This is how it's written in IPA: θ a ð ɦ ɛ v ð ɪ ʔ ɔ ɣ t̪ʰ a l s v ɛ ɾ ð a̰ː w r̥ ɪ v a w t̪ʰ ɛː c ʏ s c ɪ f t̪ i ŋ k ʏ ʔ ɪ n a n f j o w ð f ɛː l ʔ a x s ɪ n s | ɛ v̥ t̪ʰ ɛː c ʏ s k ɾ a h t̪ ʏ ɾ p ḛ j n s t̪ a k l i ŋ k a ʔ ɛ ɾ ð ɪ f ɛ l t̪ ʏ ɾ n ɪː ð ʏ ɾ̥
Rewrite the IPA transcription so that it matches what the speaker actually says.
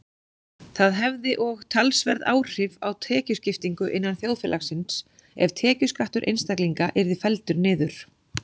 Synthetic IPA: θ a ð ɦ ɛ v ð ɪ ʔ ɔ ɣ t̪ʰ a l s v ɛ ɾ ð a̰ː w r̥ ɪ v a w t̪ʰ ɛː c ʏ s c ɪ f t̪ i ŋ k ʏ ʔ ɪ nː a n θ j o w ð f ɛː l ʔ a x s ɪ n s | ɛ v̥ t̪ʰ ɛː c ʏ s k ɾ a h t̪ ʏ ɾ ʔ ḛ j n s t̪ a k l i ŋ k a ʔ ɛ ɾ ð ɪ f ɛ l t̪ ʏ ɾ n ɪː ð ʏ ɾ̥